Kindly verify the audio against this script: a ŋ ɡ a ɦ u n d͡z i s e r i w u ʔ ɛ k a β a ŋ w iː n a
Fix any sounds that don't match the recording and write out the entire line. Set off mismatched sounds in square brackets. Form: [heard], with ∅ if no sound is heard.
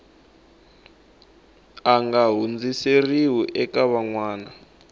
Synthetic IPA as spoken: a ŋ ɡ a ɦ u n d͡z i s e r i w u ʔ ɛ k a β a ŋ w [aː] n a